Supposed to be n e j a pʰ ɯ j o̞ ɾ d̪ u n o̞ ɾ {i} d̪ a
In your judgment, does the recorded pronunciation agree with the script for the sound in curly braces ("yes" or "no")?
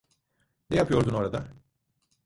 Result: no